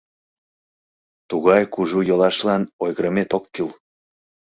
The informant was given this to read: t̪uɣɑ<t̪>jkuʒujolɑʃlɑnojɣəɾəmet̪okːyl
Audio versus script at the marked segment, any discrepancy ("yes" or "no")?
yes